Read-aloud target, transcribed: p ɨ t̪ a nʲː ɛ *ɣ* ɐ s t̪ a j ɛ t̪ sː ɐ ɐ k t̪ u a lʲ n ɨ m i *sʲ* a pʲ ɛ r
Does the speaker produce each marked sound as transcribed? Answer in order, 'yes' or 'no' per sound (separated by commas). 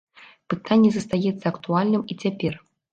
no, no